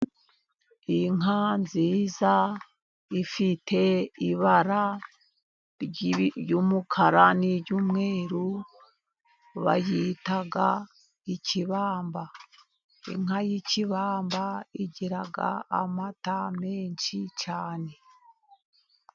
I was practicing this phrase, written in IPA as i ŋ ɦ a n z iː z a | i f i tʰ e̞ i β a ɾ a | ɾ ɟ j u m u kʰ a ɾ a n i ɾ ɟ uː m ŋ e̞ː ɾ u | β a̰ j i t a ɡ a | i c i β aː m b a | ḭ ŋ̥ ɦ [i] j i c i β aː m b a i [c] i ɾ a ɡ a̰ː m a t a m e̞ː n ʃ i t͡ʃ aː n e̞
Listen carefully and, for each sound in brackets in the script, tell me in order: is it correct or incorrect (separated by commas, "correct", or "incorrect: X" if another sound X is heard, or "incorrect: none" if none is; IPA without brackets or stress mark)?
incorrect: a, incorrect: ɟ